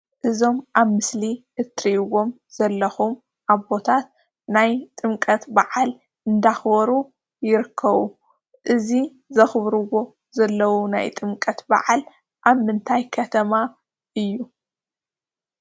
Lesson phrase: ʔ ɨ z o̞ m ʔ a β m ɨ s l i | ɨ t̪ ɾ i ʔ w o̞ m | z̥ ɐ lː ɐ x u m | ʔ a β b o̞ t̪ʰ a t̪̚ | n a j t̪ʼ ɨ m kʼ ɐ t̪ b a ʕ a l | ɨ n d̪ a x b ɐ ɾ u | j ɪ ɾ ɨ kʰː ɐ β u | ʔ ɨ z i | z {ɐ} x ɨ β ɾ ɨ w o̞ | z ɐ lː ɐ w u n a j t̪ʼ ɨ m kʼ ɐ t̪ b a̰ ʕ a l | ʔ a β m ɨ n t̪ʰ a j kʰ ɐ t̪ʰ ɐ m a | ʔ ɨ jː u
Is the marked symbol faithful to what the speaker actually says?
yes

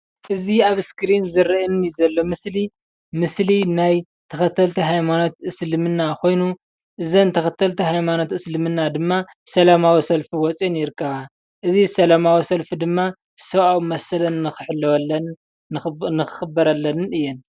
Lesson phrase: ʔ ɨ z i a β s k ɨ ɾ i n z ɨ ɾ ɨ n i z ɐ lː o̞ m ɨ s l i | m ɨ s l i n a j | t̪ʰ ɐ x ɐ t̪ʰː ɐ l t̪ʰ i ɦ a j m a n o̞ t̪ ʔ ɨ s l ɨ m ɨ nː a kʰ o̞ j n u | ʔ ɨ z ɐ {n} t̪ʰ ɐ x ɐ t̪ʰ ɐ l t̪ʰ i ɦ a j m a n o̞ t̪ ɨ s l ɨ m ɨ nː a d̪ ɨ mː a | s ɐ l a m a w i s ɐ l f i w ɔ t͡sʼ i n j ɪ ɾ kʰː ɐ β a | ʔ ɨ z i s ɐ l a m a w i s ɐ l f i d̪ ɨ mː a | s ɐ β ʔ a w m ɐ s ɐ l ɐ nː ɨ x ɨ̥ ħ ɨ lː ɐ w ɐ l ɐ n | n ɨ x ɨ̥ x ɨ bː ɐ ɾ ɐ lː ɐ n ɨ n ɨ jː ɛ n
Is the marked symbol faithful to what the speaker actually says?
yes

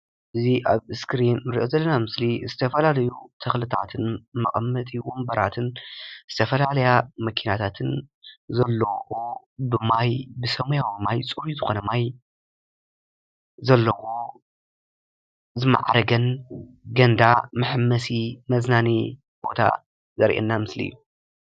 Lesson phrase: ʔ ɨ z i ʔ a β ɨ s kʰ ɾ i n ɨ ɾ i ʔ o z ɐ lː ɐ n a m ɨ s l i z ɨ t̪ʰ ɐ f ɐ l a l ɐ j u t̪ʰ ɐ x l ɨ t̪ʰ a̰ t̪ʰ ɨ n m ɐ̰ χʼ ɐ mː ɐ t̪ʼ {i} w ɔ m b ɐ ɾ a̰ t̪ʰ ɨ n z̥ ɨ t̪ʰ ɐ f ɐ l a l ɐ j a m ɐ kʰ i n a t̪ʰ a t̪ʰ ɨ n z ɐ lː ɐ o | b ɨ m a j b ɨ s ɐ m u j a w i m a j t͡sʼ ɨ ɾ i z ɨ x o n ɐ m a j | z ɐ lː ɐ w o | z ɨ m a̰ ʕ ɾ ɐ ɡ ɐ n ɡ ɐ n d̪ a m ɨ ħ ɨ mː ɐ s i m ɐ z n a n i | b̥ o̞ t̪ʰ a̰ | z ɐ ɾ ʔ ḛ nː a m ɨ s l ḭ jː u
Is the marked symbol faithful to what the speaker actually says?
yes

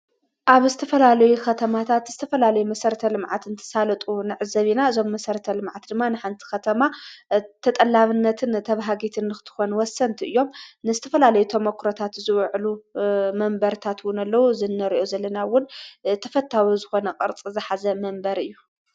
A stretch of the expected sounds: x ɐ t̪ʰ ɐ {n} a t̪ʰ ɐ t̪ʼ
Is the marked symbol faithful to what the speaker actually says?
no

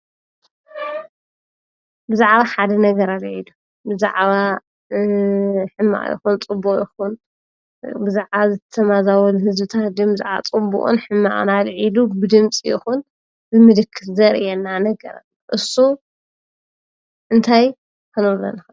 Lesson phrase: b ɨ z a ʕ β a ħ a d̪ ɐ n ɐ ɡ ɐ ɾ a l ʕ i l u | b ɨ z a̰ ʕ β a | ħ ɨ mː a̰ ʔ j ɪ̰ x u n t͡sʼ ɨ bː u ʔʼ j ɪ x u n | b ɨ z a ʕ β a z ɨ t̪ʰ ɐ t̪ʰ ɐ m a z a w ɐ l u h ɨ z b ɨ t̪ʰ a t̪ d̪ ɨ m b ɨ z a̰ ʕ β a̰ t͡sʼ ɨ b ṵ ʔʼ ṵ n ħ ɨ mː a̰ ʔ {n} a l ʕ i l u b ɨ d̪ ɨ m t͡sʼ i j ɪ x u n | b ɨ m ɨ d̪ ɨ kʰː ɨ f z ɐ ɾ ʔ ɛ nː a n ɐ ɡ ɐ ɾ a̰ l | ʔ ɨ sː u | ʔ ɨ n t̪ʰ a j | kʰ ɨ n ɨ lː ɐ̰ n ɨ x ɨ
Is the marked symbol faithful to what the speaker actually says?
yes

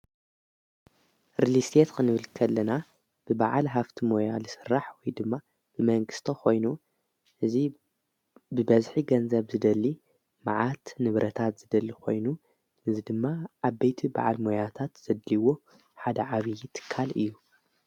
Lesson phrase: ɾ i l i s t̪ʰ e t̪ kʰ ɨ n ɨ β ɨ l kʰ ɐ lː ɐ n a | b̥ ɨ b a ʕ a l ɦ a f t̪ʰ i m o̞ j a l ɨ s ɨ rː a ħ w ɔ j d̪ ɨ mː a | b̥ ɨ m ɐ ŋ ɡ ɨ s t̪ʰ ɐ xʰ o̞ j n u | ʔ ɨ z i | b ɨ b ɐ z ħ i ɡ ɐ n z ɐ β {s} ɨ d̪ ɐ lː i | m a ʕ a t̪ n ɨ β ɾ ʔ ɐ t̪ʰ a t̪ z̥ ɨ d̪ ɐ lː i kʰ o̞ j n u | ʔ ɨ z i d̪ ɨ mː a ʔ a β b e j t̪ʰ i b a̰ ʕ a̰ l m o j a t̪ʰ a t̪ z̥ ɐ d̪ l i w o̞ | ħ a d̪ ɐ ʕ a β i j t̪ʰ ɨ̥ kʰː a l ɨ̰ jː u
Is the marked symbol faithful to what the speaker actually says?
no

